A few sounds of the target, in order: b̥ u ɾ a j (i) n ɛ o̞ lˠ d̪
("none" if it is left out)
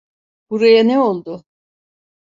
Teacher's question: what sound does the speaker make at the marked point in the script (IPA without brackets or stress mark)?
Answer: a